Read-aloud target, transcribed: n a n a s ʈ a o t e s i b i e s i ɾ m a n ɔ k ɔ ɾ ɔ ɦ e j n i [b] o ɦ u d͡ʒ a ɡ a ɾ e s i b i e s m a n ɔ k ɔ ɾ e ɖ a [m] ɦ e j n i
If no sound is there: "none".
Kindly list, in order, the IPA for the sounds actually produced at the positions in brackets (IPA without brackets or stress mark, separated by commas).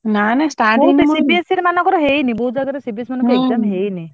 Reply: b, m